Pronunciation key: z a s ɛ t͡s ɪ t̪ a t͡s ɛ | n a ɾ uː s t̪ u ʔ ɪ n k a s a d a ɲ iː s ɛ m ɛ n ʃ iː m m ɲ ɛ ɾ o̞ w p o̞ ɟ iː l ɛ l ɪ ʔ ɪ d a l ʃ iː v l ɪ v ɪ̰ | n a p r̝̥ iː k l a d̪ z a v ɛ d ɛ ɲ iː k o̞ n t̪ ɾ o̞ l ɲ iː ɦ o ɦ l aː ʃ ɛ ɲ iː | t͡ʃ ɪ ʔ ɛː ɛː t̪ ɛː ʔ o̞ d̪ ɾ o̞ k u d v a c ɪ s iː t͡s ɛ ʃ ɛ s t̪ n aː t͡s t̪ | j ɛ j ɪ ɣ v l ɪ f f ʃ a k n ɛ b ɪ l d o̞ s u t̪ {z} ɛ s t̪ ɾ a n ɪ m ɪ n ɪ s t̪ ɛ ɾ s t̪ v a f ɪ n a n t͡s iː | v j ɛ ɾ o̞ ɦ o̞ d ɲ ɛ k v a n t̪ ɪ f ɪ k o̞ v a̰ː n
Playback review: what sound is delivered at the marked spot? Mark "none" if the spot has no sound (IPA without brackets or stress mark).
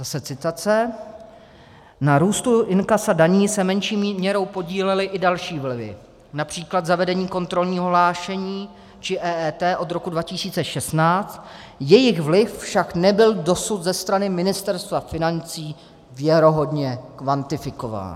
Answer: z